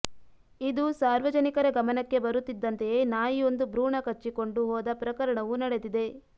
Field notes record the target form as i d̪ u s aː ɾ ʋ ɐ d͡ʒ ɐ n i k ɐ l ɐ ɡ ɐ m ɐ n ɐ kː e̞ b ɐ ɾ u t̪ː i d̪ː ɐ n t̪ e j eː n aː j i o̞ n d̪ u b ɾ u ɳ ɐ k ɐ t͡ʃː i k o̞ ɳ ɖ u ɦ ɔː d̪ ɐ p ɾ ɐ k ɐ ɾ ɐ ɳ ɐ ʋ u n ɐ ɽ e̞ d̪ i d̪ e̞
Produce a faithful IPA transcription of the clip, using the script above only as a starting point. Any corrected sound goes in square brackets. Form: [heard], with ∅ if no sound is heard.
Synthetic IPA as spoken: i d̪ u s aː ɾ ʋ ɐ d͡ʒ ɐ n i k ɐ [ɾ] ɐ ɡ ɐ m ɐ n ɐ kː e̞ b ɐ ɾ u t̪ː i d̪ː ɐ n t̪ e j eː n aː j i o̞ n d̪ u b ɾ [uː] ɳ ɐ k ɐ t͡ʃː i k o̞ ɳ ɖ u ɦ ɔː d̪ ɐ p ɾ ɐ k ɐ ɾ ɐ ɳ ɐ ʋ u n ɐ ɽ e̞ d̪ i d̪ e̞

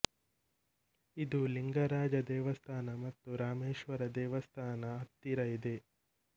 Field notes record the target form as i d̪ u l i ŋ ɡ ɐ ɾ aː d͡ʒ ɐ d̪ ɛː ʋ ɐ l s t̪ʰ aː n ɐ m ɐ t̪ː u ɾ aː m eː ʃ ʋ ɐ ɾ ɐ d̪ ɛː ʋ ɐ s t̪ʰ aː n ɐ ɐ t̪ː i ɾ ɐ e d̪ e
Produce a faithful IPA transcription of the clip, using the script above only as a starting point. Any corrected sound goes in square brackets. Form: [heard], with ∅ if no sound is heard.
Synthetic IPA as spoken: i d̪ u l i ŋ ɡ ɐ ɾ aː d͡ʒ ɐ d̪ ɛː ʋ ɐ [∅] s t̪ʰ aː n ɐ m ɐ t̪ː u ɾ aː m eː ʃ ʋ ɐ ɾ ɐ d̪ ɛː ʋ ɐ s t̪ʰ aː n ɐ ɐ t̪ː i ɾ ɐ [i] d̪ e

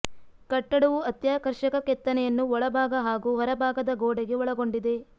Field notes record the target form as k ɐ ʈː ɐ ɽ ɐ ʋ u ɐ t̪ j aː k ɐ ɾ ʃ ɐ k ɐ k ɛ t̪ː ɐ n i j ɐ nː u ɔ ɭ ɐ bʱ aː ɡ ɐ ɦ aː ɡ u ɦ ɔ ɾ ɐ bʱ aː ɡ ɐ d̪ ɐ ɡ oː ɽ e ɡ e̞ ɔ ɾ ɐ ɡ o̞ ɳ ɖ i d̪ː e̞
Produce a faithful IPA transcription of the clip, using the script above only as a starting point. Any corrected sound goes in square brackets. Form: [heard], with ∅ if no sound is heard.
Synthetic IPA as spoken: k ɐ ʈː ɐ ɽ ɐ ʋ u ɐ t̪ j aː k ɐ ɾ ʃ ɐ k ɐ k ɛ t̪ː ɐ n [ɛ] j ɐ nː u ɔ ɭ ɐ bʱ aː ɡ ɐ ɦ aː ɡ u ɦ ɔ ɾ ɐ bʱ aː ɡ ɐ d̪ ɐ ɡ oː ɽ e ɡ e̞ ɔ [ɭ] ɐ ɡ o̞ ɳ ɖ i [d̪] e̞

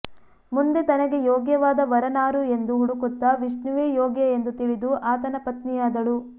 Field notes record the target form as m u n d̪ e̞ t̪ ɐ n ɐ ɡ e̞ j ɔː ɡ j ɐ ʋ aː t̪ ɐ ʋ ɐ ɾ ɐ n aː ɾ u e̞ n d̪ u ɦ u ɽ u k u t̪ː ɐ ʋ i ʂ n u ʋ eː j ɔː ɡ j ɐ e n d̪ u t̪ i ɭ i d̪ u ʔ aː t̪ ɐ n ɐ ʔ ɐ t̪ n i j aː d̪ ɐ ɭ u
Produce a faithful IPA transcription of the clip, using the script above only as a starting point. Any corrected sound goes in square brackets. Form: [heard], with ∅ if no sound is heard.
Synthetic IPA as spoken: m u n d̪ e̞ t̪ ɐ n ɐ ɡ e̞ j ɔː ɡ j ɐ ʋ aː [d̪] ɐ ʋ ɐ ɾ ɐ n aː ɾ u e̞ n d̪ u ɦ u ɽ u k u t̪ː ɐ ʋ i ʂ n u ʋ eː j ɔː ɡ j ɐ e n d̪ u t̪ i ɭ i d̪ u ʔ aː t̪ ɐ n ɐ [p] ɐ t̪ n i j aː d̪ ɐ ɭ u

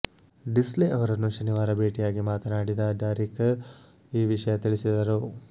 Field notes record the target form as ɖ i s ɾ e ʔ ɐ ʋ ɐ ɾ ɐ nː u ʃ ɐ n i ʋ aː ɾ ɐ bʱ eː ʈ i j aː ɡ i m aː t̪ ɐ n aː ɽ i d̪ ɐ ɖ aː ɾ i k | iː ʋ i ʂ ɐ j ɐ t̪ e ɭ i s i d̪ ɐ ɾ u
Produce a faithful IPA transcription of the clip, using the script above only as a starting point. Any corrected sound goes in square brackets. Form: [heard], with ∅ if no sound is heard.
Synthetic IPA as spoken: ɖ i s [l] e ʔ ɐ ʋ ɐ ɾ ɐ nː u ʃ ɐ n i ʋ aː ɾ ɐ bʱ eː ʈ i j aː ɡ i m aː t̪ ɐ n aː ɽ i d̪ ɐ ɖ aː ɾ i k | iː ʋ i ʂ ɐ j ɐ t̪ [i] ɭ i s i d̪ ɐ ɾ u

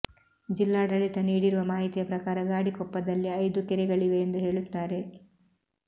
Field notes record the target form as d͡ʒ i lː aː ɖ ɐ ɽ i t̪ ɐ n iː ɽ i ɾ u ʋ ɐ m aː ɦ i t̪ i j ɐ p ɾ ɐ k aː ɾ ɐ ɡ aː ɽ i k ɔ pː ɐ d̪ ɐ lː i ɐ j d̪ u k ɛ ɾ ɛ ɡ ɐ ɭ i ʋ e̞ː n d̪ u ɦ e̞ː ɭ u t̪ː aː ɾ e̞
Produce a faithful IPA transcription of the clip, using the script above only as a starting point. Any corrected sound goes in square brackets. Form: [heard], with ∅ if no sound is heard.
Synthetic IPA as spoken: d͡ʒ i lː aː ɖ ɐ [ɭ] i t̪ ɐ n iː ɽ i ɾ u ʋ ɐ m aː ɦ i t̪ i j ɐ p ɾ ɐ k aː ɾ ɐ ɡ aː ɽ i k ɔ pː ɐ d̪ ɐ lː i ɐ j d̪ u k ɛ ɾ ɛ ɡ ɐ ɭ i ʋ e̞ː n d̪ u ɦ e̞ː ɭ u t̪ː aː ɾ e̞

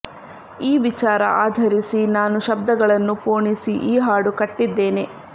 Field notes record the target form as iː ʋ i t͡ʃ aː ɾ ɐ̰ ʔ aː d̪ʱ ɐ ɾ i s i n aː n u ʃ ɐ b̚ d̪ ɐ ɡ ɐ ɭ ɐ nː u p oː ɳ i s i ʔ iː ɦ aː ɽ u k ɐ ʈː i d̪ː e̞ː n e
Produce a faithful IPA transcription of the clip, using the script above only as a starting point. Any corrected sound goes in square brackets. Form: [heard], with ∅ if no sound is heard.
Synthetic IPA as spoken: iː ʋ i t͡ʃ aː ɾ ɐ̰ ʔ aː d̪ʱ ɐ ɾ i s i n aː n u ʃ ɐ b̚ d̪ ɐ ɡ ɐ ɭ ɐ nː u p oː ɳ i s i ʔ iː ɦ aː ɽ u k ɐ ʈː i d̪ː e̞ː n e

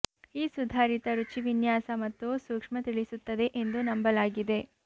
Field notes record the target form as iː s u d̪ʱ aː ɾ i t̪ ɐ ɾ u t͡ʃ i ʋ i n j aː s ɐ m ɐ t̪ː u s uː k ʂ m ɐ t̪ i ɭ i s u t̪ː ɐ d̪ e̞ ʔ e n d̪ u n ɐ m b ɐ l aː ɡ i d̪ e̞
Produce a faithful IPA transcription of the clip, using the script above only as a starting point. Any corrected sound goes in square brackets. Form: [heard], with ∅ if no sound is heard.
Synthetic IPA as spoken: iː s u d̪ʱ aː ɾ i t̪ ɐ ɾ u t͡ʃ i ʋ i n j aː s ɐ m ɐ t̪ː u s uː k ʂ m ɐ t̪ i ɭ i s u t̪ː ɐ d̪ e̞ ʔ e n d̪ u n ɐ m b ɐ l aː ɡ i d̪ e̞

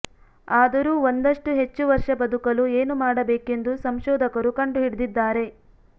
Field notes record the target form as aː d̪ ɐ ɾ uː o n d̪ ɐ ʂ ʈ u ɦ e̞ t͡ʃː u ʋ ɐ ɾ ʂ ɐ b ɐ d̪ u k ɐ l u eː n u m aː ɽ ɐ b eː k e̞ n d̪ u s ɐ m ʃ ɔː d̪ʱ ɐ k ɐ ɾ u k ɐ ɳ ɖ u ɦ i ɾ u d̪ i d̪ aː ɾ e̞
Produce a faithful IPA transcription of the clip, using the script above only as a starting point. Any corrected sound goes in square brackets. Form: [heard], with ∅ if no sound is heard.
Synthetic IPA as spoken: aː d̪ ɐ ɾ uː o n d̪ ɐ ʂ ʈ u ɦ e̞ t͡ʃː u ʋ ɐ ɾ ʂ ɐ b ɐ d̪ u k ɐ l u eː n u m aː ɽ ɐ b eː k e̞ n d̪ u s ɐ m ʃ ɔː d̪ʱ ɐ k ɐ ɾ u k ɐ ɳ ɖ u ɦ i [ɽ] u d̪ i [d̪ː] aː ɾ e̞

